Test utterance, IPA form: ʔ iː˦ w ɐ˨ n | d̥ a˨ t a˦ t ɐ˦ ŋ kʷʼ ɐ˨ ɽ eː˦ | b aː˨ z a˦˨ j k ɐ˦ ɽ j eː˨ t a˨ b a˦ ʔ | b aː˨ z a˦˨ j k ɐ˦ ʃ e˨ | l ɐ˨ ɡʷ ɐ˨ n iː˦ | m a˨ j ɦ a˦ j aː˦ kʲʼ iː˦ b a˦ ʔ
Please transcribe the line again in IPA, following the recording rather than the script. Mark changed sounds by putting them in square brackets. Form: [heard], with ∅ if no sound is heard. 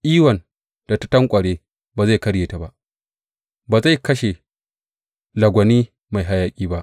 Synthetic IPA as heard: ʔ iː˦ w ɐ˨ n | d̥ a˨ t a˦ t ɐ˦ ŋ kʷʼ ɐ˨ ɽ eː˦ | b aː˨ z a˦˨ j k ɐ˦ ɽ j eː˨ t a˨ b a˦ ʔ | b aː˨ z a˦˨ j k ɐ˦ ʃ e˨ | l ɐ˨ ɡʷ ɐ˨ n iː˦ | m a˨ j ɦ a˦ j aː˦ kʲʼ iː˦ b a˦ ʔ